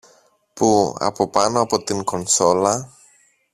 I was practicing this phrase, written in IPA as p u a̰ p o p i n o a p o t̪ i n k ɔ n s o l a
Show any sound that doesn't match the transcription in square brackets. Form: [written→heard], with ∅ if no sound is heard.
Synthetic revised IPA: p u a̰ p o p [i→a] n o a p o t̪ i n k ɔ n s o l a